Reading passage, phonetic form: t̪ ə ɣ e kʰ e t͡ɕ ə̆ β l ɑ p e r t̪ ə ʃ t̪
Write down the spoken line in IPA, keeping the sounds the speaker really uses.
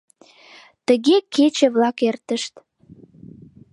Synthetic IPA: t̪ ə ɣ e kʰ e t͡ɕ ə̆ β l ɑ k e r t̪ ə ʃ t̪